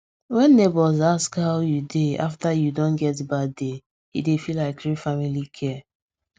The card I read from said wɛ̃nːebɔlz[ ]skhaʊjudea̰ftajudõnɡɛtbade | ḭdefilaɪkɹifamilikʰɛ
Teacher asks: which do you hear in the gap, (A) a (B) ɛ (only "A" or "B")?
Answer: A